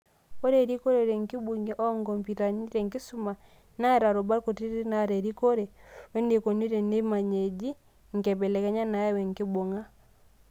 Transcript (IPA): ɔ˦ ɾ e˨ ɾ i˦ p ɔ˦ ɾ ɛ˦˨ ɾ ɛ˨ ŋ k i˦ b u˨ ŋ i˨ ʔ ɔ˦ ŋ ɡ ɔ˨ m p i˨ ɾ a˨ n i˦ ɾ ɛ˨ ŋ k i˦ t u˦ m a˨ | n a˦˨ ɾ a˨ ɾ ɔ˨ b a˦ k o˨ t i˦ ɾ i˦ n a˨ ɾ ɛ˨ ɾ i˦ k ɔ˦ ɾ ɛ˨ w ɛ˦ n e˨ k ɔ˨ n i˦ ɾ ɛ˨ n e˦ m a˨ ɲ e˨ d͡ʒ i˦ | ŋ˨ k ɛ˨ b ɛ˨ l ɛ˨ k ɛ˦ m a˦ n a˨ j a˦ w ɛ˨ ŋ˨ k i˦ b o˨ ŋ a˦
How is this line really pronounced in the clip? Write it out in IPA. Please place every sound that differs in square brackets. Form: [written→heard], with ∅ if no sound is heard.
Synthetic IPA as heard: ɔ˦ ɾ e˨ ɾ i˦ [p→k] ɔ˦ ɾ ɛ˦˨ ɾ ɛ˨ ŋ k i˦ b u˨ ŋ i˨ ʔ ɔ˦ ŋ ɡ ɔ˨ m p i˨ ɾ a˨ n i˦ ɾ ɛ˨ ŋ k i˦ [t→s] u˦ m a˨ | n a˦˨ ɾ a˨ ɾ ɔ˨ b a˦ k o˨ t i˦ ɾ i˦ n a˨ ɾ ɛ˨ ɾ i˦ k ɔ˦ ɾ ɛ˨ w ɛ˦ n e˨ k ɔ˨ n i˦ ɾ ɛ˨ n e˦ m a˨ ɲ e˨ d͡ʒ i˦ | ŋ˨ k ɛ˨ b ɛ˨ l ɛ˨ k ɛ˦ [m→ɲ] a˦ n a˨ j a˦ w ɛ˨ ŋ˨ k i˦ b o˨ ŋ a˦